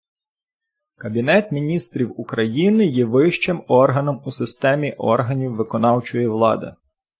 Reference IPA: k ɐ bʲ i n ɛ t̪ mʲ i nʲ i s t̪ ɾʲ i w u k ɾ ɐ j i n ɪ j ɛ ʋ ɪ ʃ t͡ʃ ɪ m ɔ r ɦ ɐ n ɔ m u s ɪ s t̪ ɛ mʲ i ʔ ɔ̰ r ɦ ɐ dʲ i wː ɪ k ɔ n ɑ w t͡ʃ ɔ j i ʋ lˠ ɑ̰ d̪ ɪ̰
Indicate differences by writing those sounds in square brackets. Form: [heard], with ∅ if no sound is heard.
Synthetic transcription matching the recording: k ɐ bʲ i n ɛ t̪ mʲ i nʲ i s t̪ ɾʲ i w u k ɾ ɐ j i n ɪ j ɛ ʋ ɪ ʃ t͡ʃ ɪ m ɔ r ɦ ɐ n ɔ m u s ɪ s t̪ ɛ mʲ i ʔ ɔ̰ r ɦ ɐ [nʲ] i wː ɪ k ɔ n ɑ w t͡ʃ ɔ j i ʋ lˠ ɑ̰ d̪ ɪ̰